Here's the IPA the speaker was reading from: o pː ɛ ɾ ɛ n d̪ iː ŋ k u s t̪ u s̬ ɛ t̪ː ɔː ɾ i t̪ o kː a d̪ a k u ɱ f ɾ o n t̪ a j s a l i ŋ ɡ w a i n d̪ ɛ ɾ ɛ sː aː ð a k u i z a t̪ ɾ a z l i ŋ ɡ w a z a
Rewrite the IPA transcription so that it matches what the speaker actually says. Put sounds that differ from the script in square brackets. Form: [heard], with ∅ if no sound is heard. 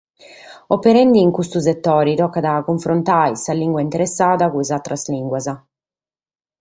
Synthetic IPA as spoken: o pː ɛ ɾ ɛ n d̪ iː ŋ k u s t̪ u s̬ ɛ t̪ː ɔː ɾ i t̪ [ɔ] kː a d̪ a k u ɱ f ɾ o n t̪ a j s a l i ŋ ɡ w a i n [t̪] ɛ ɾ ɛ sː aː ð a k u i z a t̪ ɾ a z l i ŋ ɡ w a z a

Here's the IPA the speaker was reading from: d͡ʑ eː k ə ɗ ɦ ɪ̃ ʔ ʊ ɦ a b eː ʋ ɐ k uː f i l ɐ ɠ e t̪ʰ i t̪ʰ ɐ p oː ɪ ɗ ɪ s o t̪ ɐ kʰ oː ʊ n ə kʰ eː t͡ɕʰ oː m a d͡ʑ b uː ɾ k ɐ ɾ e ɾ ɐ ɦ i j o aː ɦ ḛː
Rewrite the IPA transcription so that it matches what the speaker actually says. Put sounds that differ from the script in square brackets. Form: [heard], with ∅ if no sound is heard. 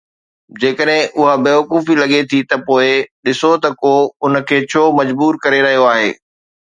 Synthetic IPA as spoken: d͡ʑ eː k ə ɗ ɦ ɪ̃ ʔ ʊ ɦ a b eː ʋ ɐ k uː f i l ɐ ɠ e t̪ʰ i [t̪] ɐ p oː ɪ ɗ ɪ s o t̪ ɐ [k] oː ʊ n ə kʰ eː t͡ɕʰ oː m [ɐ] d͡ʑ b uː ɾ k ɐ ɾ e ɾ ɐ ɦ i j o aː ɦ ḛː

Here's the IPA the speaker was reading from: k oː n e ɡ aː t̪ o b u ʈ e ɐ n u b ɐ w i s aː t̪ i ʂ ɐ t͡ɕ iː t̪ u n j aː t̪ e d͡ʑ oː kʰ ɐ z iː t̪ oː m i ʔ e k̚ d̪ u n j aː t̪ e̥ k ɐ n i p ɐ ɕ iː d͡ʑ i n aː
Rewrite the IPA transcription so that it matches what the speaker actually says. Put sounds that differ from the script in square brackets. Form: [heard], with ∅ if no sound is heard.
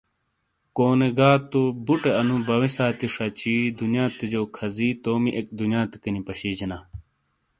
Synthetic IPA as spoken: k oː n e ɡ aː t̪ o b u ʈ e ɐ n u b ɐ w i s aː t̪ i ʂ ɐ t͡ɕ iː [d̪] u n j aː t̪ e d͡ʑ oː kʰ ɐ z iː t̪ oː m i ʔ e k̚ d̪ u n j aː t̪ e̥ k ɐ n i p ɐ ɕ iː d͡ʑ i n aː

